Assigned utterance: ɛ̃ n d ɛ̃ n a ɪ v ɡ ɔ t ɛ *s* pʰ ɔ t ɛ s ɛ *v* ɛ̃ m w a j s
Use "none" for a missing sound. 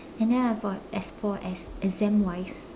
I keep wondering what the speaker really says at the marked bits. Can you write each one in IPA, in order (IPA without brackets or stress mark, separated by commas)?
s, z